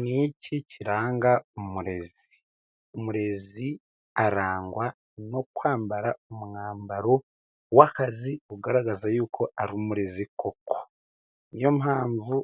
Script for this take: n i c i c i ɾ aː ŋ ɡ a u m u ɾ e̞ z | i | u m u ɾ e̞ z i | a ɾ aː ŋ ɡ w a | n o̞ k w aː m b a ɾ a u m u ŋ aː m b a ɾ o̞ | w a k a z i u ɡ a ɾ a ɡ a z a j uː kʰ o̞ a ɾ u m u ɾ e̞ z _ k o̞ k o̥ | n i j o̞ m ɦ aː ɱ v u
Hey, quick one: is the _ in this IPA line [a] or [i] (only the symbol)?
i